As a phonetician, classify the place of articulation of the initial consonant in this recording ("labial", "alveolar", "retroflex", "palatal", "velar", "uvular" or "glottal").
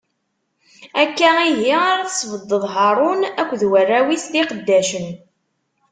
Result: velar